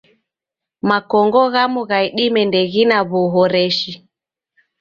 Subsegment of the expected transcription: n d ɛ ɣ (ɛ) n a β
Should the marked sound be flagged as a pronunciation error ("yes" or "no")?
yes